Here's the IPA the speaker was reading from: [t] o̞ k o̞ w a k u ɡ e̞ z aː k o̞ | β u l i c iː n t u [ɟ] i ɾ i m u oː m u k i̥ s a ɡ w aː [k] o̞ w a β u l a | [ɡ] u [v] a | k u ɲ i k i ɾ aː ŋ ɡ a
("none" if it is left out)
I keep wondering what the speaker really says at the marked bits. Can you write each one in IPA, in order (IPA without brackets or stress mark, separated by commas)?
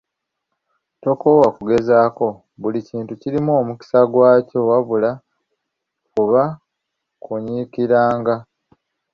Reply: t, c, c, k, β